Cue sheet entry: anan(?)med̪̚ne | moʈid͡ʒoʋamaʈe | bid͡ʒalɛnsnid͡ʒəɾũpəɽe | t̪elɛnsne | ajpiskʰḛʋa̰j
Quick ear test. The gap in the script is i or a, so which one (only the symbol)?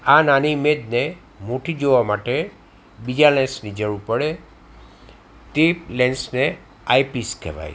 i